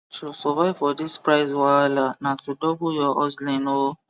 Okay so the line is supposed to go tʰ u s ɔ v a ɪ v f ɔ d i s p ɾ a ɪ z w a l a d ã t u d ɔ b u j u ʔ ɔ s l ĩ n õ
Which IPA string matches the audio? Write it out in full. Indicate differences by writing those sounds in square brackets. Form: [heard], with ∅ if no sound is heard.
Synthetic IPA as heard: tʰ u s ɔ v a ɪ v f ɔ d i s p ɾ a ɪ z w a l a [n] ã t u d ɔ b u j [ɔ] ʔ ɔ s l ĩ n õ